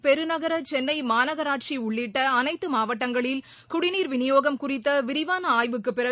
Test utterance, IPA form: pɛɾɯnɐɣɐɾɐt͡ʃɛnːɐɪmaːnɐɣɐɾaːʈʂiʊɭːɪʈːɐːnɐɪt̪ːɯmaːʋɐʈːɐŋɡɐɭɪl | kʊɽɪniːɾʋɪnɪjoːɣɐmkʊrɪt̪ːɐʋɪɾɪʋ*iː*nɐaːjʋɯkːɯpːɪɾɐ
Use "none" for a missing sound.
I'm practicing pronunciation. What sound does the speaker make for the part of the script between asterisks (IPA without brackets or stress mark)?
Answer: aː